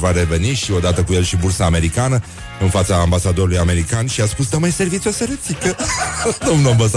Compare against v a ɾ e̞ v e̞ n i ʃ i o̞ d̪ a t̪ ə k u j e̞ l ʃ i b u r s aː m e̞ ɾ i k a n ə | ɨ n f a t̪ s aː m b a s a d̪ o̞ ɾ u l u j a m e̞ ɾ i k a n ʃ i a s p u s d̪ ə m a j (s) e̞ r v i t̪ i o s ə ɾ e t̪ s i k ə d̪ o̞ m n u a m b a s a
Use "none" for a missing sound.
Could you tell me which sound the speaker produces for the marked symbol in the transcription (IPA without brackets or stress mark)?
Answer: s